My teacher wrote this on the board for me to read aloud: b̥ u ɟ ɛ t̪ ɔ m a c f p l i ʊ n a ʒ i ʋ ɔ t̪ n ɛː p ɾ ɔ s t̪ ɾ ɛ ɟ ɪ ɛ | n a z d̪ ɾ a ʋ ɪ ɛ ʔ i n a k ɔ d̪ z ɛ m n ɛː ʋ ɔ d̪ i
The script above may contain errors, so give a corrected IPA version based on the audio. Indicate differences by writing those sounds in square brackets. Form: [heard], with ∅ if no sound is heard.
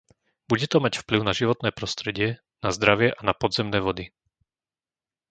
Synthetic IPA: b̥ u ɟ ɛ t̪ ɔ m a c f p l i ʊ n a ʒ i ʋ ɔ t̪ n ɛː p ɾ ɔ s t̪ ɾ ɛ ɟ ɪ ɛ | n a z d̪ ɾ a ʋ ɪ ɛ ʔ [a] n a [p] ɔ d̪ z ɛ m n ɛː ʋ ɔ d̪ i

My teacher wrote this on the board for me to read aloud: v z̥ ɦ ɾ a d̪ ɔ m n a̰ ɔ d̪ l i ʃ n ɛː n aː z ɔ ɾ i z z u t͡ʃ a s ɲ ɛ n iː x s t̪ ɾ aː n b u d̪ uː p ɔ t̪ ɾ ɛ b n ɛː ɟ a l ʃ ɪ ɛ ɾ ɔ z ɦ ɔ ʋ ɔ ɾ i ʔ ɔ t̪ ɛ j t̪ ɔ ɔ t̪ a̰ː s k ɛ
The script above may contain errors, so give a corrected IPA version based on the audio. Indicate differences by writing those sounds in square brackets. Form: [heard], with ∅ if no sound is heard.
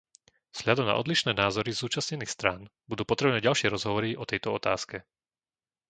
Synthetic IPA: v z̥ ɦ [ʎ] a d̪ ɔ m n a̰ ɔ d̪ l i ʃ n ɛː n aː z ɔ ɾ i z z [uː] t͡ʃ a s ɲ ɛ n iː x s t̪ ɾ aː n b u d̪ uː p ɔ t̪ ɾ ɛ b n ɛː ɟ a l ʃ ɪ ɛ ɾ ɔ z ɦ ɔ ʋ ɔ ɾ i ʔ ɔ t̪ ɛ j t̪ ɔ ɔ t̪ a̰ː s k ɛ

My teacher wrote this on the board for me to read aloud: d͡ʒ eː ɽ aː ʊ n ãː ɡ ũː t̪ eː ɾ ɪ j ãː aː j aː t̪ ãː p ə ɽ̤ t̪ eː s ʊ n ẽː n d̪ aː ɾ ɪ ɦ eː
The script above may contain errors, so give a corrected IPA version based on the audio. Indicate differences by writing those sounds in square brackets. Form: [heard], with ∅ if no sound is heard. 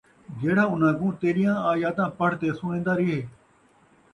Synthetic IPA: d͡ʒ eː ɽ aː ʊ n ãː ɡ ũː t̪ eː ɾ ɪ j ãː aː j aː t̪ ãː p ə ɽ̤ t̪ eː s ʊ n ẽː n d̪ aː ɾ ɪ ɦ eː

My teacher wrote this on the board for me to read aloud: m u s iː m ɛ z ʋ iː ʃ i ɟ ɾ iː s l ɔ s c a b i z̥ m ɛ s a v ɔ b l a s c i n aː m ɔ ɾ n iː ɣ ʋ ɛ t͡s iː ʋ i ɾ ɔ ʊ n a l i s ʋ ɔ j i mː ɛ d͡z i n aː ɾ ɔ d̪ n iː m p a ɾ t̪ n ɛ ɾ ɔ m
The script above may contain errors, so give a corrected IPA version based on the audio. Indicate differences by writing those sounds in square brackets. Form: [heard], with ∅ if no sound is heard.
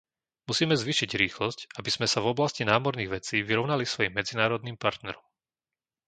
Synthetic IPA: m u s iː m ɛ z ʋ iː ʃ i ɟ ɾ iː [x] l ɔ s c a b i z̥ m ɛ s a v ɔ b l a s c i n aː m ɔ ɾ n iː ɣ ʋ ɛ t͡s iː ʋ i ɾ ɔ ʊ n a l i s ʋ ɔ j i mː ɛ d͡z i n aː ɾ ɔ d̪ n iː m p a ɾ t̪ n ɛ ɾ ɔ m

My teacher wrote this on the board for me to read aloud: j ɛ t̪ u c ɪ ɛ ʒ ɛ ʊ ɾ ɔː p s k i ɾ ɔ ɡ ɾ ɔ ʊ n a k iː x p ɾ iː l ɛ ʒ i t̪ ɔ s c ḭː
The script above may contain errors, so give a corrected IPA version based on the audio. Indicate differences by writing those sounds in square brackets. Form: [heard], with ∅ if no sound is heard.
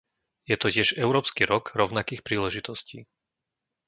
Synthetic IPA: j ɛ t̪ [ɔ] c ɪ ɛ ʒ ɛ ʊ ɾ ɔː p s k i ɾ ɔ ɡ ɾ ɔ ʊ n a k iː x p ɾ iː l ɛ ʒ i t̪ ɔ s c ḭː

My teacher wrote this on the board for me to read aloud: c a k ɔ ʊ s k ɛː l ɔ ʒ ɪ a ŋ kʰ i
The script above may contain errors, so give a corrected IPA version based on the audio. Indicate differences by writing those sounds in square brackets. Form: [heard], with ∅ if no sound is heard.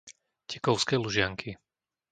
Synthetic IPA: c [ɛ] k ɔ ʊ s k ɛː l [u] ʒ ɪ a ŋ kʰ i

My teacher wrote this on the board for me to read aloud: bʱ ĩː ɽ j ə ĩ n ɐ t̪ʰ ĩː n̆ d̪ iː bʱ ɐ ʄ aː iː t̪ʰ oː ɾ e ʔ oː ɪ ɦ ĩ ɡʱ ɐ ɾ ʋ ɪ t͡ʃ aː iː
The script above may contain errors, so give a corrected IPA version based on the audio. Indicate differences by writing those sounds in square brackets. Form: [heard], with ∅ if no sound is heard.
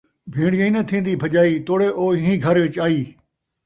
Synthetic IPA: bʱ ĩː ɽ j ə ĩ n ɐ t̪ʰ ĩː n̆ d̪ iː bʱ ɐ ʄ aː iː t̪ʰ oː [ɽ] e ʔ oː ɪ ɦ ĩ ɡʱ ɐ ɾ ʋ ɪ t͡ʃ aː iː

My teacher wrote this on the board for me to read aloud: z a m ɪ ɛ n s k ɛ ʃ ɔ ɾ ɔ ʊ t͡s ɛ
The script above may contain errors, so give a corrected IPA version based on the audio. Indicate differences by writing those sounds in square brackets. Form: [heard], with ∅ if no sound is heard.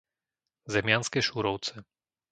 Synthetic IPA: z [ɛ] m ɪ [a] n s k ɛ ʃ [u] ɾ ɔ ʊ t͡s ɛ

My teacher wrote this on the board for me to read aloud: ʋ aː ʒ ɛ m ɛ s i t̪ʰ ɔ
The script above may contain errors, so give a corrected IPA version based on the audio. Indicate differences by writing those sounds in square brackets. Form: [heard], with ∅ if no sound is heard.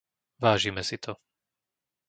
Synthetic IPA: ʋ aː ʒ [i] m ɛ s i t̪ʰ ɔ

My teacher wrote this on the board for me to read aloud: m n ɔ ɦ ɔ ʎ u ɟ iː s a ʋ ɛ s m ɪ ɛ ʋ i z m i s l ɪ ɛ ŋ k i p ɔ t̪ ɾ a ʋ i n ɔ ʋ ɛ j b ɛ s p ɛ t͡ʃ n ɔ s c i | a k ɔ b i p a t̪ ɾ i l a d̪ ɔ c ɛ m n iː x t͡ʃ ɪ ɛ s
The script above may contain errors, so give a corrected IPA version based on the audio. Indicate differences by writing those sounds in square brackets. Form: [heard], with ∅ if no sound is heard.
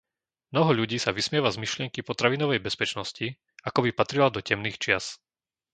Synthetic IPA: m n ɔ ɦ ɔ ʎ u ɟ iː s a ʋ [i] s m ɪ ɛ ʋ [a] z m i [ʃ] l ɪ ɛ ŋ k i p ɔ t̪ ɾ a ʋ i n ɔ ʋ ɛ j b ɛ s p ɛ t͡ʃ n ɔ s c i | a k ɔ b i p a t̪ ɾ i l a d̪ ɔ c ɛ m n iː x t͡ʃ ɪ [a] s

